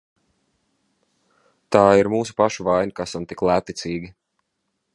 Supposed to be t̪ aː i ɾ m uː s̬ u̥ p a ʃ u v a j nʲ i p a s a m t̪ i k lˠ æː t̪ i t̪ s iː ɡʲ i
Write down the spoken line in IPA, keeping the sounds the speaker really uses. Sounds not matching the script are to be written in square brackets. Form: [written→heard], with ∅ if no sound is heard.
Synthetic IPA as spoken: t̪ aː i ɾ m uː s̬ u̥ p a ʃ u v a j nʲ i [p→k] a s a m t̪ i k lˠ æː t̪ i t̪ s iː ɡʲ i